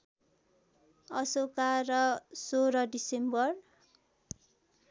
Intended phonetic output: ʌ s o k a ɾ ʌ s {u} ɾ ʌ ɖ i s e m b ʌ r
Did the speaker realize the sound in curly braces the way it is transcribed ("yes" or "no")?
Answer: no